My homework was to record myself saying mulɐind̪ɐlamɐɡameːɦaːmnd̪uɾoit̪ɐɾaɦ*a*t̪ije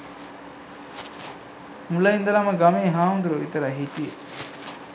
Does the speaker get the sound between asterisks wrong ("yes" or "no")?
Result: yes